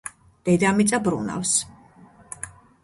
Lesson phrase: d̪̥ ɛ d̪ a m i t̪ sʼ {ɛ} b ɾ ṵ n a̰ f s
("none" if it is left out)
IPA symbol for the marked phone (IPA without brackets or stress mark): a